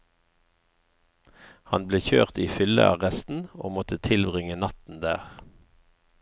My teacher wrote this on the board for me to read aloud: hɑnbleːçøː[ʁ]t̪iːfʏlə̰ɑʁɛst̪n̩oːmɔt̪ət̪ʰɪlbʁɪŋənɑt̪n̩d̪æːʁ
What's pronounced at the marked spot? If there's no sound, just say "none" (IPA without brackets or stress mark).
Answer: ʁ